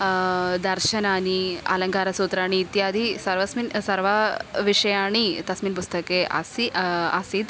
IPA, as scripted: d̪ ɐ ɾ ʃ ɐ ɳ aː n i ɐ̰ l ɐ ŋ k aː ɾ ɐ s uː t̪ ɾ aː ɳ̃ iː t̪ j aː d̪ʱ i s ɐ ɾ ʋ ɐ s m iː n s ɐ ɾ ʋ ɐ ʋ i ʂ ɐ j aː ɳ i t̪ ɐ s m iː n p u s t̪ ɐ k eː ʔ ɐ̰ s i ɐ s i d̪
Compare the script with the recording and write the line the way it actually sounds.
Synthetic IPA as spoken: d̪ ɐ ɾ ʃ ɐ n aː n i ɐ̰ l ɐ ŋ k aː ɾ ɐ s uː t̪ ɾ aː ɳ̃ iː t̪ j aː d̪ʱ i s ɐ ɾ ʋ ɐ s m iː n s ɐ ɾ ʋ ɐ ʋ i ʂ ɐ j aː ɳ i t̪ ɐ s m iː n p u s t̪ ɐ k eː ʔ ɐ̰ s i ɐ s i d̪

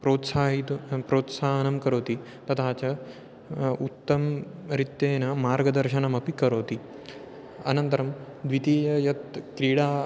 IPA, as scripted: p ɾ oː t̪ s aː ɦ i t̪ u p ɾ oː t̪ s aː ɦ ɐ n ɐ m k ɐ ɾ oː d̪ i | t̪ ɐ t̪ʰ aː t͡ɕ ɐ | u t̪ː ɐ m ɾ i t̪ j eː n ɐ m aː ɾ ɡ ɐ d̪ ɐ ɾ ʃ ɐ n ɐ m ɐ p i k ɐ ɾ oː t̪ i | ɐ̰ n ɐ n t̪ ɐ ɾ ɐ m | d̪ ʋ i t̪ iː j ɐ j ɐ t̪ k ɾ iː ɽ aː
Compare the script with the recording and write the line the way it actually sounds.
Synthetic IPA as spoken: p ɾ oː t̪ s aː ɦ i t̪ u p ɾ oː t̪ s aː ɦ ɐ n ɐ m k ɐ ɾ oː t̪ i | t̪ ɐ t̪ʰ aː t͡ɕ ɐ | u t̪ː ɐ m ɾ i t̪ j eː n ɐ m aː ɾ ɡ ɐ d̪ ɐ ɾ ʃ ɐ n ɐ m ɐ p i k ɐ ɾ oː t̪ i | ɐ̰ n ɐ n t̪ ɐ ɾ ɐ m | d̪ ʋ i t̪ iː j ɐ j ɐ t̪ k ɾ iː ɽ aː

